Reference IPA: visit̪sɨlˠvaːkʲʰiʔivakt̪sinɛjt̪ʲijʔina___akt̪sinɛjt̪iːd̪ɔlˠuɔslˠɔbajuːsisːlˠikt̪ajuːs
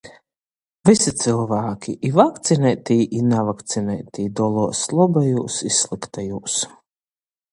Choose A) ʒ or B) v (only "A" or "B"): B